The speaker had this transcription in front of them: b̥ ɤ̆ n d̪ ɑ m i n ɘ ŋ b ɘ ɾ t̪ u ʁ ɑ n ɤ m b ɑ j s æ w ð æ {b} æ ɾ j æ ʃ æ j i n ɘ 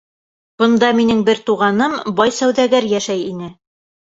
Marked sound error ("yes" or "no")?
yes